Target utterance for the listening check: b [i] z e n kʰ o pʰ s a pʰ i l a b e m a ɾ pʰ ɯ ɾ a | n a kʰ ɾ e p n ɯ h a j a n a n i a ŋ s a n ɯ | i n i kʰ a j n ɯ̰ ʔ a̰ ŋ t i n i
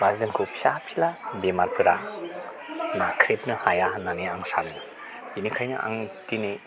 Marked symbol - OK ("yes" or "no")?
no